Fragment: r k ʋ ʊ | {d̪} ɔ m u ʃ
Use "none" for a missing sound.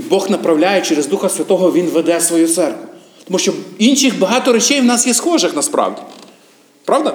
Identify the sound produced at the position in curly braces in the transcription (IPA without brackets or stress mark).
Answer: t̪